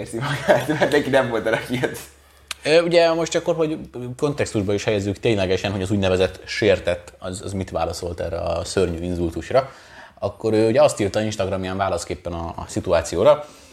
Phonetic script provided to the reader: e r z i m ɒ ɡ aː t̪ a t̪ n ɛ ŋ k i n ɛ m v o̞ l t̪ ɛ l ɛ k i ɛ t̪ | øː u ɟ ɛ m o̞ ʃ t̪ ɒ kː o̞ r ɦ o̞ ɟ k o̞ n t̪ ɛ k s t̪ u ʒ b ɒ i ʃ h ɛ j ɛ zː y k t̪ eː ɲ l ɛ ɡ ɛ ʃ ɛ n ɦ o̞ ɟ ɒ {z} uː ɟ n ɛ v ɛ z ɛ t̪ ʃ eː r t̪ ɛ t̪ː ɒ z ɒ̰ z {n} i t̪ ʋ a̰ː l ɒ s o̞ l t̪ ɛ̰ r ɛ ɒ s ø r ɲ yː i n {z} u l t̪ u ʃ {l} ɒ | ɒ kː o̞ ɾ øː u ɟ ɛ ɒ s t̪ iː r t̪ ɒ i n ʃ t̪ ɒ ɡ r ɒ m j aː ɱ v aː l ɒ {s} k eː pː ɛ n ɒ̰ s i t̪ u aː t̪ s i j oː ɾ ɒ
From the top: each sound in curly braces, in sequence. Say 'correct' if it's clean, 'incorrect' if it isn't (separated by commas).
correct, incorrect, correct, incorrect, correct